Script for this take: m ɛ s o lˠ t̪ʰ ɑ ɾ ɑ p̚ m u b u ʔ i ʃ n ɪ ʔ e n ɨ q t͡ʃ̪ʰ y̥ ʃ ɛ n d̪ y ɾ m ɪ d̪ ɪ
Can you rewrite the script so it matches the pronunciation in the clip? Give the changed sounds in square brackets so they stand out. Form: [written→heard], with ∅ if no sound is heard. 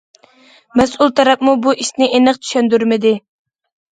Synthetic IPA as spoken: m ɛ s [o→u] lˠ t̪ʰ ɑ ɾ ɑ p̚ m u b u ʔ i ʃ n ɪ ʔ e n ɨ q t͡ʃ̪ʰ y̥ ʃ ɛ n d̪ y ɾ m ɪ d̪ ɪ